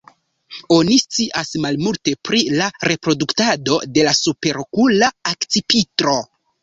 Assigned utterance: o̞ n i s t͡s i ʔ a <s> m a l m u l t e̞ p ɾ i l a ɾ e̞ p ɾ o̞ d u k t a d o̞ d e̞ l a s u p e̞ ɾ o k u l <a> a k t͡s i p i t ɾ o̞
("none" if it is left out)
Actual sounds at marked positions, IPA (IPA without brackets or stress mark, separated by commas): s, a